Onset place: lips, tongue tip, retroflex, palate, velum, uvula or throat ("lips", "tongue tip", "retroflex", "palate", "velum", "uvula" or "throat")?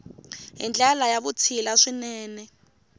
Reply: throat